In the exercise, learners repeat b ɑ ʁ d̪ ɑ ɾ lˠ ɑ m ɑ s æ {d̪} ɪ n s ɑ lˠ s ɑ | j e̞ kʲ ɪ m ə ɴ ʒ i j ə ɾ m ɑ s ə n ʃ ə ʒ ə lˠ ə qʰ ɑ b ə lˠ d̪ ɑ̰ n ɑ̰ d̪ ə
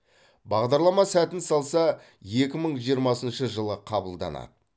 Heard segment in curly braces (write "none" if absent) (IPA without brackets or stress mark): t̪